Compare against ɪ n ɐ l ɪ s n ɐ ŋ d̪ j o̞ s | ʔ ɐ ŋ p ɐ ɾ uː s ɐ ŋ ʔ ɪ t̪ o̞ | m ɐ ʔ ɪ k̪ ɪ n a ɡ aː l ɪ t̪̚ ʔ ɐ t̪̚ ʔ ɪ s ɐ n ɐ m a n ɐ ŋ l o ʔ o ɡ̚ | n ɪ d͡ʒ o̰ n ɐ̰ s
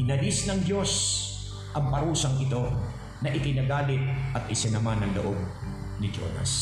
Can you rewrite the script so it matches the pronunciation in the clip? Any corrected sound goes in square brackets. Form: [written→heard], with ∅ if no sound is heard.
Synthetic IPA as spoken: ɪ n ɐ l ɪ s n ɐ ŋ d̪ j o̞ s | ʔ ɐ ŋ p ɐ ɾ uː s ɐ ŋ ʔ ɪ t̪ o̞ | [m→n] ɐ ʔ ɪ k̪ ɪ n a ɡ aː l ɪ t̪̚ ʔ ɐ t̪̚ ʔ ɪ s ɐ n ɐ m a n ɐ ŋ l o ʔ o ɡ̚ | n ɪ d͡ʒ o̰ n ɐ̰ s